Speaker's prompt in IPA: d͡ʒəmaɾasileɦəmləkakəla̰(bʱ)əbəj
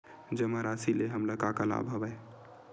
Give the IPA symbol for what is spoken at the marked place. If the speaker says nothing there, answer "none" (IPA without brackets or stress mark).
bʱ